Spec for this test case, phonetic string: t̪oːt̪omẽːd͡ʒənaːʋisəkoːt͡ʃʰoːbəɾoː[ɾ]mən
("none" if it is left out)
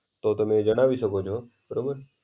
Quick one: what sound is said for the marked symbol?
none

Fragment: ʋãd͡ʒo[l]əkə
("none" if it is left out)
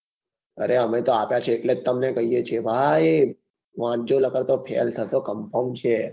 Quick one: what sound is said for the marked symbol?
l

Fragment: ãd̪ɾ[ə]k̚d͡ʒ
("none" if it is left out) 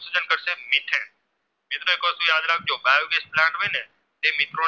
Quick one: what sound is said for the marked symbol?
a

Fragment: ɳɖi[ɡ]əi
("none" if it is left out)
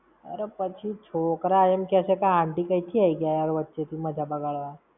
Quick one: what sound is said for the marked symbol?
k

